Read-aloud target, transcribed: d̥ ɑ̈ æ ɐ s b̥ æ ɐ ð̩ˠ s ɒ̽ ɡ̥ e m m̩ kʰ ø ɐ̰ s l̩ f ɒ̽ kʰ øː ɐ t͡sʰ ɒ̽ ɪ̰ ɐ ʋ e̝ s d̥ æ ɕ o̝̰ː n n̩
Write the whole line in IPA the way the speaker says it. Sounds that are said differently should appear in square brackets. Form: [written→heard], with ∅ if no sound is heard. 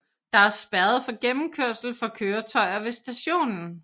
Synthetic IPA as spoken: d̥ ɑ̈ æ ɐ s b̥ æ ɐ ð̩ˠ [s→f] ɒ̽ ɡ̥ e m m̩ kʰ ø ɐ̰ s l̩ f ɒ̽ kʰ øː ɐ t͡sʰ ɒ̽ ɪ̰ ɐ ʋ e̝ s d̥ æ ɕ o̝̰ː n n̩